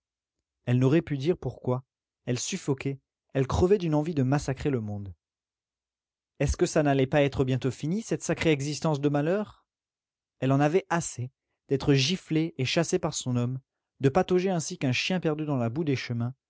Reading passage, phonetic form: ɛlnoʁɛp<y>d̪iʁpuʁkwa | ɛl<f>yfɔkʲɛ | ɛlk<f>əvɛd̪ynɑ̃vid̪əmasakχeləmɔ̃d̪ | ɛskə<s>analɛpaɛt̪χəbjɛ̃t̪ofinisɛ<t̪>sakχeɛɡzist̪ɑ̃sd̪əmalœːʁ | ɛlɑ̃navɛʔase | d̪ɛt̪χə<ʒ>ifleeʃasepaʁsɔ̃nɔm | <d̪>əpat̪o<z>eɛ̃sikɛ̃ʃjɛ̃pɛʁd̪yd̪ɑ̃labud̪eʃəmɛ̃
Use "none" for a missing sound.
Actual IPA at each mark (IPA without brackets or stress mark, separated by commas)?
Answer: y, s, χ, s, t̪, ʒ, d̪, ʒ